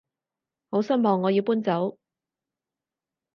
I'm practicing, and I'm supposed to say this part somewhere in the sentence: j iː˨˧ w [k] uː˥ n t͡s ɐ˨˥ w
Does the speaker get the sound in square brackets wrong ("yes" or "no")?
yes